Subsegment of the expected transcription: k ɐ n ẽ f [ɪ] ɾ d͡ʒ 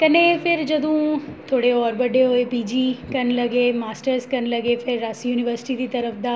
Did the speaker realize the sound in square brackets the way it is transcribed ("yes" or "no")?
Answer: yes